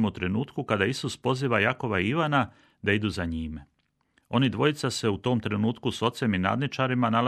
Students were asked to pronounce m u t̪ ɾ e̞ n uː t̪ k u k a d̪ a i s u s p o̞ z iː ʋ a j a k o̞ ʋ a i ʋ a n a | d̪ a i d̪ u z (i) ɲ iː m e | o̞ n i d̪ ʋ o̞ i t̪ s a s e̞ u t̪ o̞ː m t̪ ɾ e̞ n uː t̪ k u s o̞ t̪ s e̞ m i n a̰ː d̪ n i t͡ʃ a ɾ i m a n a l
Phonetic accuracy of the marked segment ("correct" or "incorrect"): incorrect